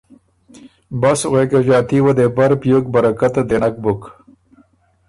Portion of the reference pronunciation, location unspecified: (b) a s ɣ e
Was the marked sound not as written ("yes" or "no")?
no